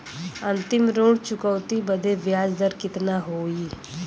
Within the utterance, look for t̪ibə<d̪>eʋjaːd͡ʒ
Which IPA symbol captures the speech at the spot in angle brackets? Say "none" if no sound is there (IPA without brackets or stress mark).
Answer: d̪